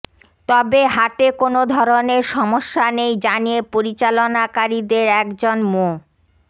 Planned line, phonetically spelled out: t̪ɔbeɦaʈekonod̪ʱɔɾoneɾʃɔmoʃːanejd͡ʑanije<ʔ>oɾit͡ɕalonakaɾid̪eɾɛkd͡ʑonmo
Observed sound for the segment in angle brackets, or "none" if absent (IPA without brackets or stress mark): p